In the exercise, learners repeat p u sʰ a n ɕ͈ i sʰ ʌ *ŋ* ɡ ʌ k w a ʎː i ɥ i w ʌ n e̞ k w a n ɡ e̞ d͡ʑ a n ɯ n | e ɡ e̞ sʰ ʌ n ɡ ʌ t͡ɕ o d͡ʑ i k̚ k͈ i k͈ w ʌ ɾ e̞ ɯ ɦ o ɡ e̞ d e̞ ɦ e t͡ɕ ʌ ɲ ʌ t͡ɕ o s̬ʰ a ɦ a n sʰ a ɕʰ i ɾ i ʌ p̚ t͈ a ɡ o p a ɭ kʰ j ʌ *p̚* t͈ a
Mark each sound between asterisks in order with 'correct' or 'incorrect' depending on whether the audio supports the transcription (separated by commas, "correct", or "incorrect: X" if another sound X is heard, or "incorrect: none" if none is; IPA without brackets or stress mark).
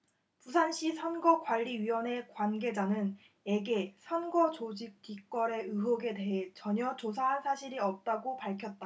incorrect: n, incorrect: t̚